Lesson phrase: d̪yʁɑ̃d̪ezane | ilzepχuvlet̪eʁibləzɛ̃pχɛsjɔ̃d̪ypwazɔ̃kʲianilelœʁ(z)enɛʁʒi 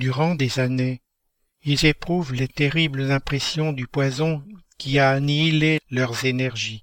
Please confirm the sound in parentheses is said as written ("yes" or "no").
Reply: yes